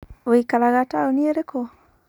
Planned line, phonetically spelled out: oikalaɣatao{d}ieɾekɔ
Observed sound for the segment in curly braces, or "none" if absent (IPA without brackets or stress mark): n